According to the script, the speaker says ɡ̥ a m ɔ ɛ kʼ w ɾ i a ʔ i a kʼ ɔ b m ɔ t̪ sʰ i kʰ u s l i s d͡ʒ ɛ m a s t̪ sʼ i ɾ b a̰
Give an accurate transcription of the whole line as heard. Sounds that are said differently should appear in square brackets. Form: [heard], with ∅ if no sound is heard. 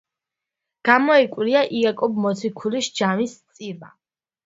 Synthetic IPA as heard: ɡ̥ a m ɔ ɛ kʼ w ɾ i a ʔ i a kʼ ɔ b m ɔ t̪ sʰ i kʰ u [∅] l i s d͡ʒ [a] m [i] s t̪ sʼ i ɾ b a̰